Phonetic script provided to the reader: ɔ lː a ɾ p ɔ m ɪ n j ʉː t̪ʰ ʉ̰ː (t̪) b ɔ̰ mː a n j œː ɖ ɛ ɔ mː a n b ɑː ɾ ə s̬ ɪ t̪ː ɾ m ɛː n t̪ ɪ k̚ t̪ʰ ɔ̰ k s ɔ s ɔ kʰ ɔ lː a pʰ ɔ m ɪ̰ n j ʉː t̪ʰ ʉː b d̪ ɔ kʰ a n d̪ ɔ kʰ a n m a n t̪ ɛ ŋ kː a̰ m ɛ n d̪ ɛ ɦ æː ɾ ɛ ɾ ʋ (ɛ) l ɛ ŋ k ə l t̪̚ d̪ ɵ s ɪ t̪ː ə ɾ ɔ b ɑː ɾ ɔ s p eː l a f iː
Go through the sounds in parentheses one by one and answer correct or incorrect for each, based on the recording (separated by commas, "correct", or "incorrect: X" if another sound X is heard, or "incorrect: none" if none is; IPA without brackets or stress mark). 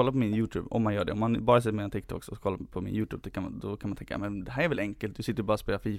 incorrect: none, correct